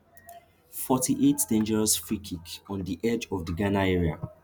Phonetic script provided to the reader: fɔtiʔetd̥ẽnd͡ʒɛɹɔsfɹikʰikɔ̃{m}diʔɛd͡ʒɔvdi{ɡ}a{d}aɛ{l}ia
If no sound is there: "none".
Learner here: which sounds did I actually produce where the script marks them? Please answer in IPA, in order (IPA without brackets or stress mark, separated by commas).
n, ɡ, n, ɹ